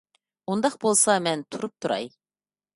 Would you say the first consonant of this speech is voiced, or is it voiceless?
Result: voiced